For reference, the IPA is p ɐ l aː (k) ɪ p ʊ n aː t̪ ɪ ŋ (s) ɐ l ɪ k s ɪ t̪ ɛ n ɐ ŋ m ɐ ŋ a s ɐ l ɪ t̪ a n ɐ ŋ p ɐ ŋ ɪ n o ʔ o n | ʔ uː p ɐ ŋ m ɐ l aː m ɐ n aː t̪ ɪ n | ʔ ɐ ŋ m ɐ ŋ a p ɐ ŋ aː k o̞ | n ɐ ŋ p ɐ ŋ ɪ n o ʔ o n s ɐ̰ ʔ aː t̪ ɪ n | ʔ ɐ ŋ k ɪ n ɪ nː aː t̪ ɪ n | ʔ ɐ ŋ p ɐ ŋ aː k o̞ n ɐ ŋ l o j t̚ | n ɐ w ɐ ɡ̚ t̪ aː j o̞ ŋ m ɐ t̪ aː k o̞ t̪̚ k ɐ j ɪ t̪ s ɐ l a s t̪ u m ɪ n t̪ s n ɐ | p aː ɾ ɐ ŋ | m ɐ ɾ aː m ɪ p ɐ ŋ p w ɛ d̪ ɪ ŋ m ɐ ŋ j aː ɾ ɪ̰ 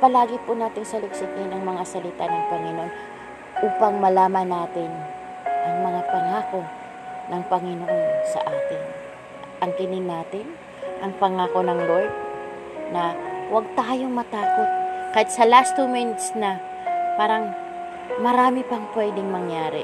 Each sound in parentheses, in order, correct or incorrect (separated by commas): incorrect, correct